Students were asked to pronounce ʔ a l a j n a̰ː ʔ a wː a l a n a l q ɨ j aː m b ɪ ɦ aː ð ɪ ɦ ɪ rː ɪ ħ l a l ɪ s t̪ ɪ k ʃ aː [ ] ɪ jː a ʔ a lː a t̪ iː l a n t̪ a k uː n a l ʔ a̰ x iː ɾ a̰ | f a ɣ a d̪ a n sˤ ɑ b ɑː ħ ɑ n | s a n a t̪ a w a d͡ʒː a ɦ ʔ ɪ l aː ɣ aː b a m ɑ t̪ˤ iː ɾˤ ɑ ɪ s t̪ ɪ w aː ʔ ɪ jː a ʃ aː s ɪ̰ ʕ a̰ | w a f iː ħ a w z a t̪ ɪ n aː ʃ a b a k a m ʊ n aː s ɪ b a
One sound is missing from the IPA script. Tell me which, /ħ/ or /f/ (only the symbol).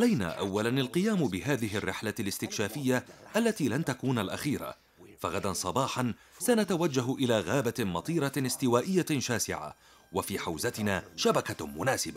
f